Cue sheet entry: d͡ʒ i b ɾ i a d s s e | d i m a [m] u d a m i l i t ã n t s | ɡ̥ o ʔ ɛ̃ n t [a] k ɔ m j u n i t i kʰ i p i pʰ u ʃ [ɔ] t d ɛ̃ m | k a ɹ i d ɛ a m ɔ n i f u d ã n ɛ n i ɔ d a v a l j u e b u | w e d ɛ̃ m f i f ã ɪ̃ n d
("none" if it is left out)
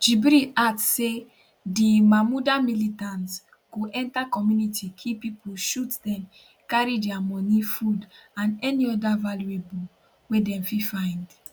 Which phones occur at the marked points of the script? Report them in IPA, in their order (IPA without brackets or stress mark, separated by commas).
m, a, u